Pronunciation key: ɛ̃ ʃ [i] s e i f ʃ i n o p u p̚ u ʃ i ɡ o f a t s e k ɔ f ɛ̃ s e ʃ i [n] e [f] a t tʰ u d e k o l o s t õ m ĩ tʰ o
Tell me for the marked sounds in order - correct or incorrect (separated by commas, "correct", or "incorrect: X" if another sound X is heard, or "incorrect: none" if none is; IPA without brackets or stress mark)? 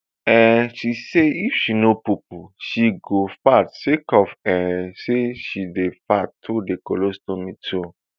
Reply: correct, incorrect: d, correct